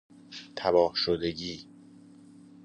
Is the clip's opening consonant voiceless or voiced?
voiceless